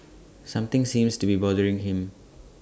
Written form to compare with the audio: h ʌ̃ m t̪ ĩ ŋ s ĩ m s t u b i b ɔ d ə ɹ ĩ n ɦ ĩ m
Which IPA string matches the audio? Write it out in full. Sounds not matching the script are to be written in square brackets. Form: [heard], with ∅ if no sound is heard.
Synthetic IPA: [s] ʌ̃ m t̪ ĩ ŋ s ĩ m s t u b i b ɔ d ə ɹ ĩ [ŋ] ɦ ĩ m

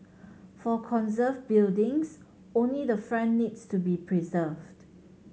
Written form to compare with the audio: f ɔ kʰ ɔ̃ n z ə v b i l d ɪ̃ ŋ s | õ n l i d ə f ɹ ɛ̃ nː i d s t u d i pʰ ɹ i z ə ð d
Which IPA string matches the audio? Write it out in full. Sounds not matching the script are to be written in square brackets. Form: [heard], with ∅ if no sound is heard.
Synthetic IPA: f ɔ kʰ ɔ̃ n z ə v b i l d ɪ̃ ŋ s | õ n l i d ə f ɹ ɛ̃ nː i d s t u [b] i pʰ ɹ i z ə [v] d

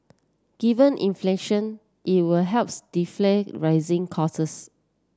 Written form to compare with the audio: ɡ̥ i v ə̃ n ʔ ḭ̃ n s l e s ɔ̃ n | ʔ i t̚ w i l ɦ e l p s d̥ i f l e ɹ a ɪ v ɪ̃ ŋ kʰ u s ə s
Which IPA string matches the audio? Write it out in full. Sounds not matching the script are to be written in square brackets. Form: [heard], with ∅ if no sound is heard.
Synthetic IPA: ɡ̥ i v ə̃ n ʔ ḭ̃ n [f] l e [ʃ] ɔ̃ n | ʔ i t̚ w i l ɦ [ɛ] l p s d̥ i f l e ɹ a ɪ [z] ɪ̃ ŋ kʰ [ɔ] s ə s

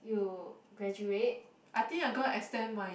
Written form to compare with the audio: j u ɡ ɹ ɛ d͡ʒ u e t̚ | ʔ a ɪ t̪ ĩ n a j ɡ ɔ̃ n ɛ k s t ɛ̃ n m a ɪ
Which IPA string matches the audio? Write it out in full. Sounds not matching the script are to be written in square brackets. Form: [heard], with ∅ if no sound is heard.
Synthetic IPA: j u ɡ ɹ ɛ d͡ʒ u e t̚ | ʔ a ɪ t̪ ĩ [ŋ] a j ɡ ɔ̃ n ɛ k s t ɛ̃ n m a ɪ

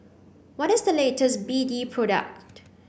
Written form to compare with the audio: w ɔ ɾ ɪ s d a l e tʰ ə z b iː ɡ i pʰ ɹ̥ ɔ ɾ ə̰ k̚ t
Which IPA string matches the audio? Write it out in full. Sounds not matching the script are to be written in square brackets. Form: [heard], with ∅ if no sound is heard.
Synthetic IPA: w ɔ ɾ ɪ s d [ə] l e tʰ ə [s] b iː [d] i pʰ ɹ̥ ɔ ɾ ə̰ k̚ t

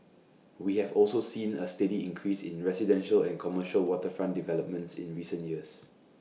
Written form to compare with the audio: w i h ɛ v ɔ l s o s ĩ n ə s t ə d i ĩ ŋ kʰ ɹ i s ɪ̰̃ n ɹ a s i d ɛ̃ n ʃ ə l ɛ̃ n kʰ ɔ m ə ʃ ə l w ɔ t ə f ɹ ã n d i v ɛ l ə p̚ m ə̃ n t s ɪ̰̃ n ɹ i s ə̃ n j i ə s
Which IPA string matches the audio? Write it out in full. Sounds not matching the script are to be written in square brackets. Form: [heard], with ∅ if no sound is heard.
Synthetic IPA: w i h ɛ v ɔ l s o s ĩ n ə s t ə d i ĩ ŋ kʰ ɹ i s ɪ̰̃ n ɹ [ɛ] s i d ɛ̃ n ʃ ə l ɛ̃ n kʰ ɔ m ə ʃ ə l w ɔ t ə f ɹ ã n d i v ɛ l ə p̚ m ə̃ n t s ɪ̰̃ n ɹ i s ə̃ n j i ə s

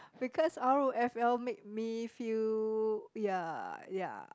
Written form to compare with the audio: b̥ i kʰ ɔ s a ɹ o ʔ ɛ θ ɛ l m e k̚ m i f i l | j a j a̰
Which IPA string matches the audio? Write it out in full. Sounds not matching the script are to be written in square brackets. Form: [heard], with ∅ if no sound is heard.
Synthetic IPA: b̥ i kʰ ɔ s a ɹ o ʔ ɛ [f] ɛ l m e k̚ m i f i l | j a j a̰

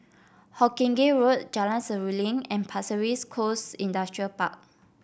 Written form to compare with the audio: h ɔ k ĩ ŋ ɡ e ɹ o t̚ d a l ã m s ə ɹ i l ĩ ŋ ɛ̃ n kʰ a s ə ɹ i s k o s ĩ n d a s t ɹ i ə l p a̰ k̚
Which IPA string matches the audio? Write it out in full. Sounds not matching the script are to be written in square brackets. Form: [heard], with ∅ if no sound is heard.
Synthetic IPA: h ɔ k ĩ ŋ ɡ e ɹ o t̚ [d͡ʒ] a l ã [n] s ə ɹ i l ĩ ŋ ɛ̃ n [pʰ] a s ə ɹ i s [kʰ] o s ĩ n d a s t ɹ i ə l p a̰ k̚

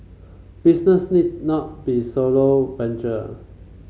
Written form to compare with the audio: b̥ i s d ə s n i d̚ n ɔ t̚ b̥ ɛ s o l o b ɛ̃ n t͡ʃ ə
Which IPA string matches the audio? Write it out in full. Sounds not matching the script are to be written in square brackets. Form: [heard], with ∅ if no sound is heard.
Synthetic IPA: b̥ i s [n] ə s n i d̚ n ɔ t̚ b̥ [i] s o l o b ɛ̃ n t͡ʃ ə

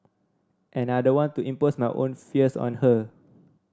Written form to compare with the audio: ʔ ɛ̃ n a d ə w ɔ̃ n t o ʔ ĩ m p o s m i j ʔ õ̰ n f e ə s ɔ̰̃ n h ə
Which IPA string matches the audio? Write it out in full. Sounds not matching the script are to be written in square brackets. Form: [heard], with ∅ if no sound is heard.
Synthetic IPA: ʔ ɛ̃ n a d ə w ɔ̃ n t [u] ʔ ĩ m p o s m [a] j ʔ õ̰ n f [i] ə s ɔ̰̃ n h ə

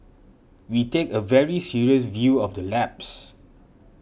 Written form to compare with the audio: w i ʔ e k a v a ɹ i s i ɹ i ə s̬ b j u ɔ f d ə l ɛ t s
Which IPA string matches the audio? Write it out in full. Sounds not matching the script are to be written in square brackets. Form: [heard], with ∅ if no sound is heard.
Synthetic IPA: w i [t] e k [ə] v [ɛ] ɹ i s i ɹ i ə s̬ [v] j u ɔ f d ə l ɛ [p] s

